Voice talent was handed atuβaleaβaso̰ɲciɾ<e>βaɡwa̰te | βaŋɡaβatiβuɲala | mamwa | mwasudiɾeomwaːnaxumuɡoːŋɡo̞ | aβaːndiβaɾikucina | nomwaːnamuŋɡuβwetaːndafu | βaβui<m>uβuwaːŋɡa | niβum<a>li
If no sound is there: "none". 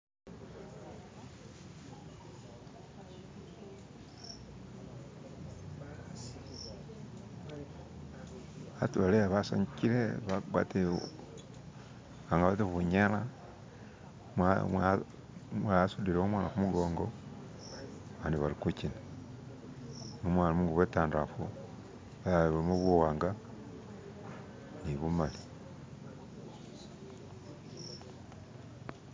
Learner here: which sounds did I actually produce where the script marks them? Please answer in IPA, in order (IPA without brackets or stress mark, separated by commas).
e, m, a